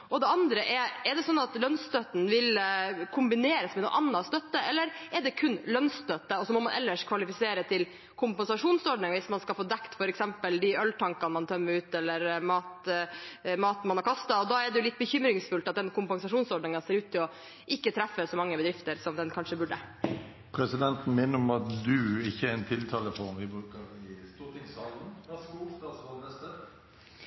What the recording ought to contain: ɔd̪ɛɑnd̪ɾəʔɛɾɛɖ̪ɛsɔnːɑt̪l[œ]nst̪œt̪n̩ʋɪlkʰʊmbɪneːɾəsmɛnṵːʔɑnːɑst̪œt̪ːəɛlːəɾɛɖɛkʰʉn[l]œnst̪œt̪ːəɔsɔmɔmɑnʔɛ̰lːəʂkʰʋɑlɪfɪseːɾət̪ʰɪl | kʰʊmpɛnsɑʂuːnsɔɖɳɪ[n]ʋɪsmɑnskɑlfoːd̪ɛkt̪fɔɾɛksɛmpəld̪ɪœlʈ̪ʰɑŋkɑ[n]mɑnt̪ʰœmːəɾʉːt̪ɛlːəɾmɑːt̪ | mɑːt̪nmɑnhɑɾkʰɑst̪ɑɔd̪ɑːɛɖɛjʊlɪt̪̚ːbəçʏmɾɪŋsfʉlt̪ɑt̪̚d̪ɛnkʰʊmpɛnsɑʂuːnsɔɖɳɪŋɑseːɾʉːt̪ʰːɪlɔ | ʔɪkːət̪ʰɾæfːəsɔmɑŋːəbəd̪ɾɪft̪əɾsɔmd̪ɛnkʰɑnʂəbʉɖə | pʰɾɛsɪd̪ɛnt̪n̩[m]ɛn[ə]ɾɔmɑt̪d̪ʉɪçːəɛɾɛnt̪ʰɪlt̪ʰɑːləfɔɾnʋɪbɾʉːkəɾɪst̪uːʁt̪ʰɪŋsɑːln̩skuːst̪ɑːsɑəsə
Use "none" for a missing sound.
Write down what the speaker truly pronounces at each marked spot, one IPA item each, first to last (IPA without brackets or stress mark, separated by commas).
œ, l, ŋ, n, m, ə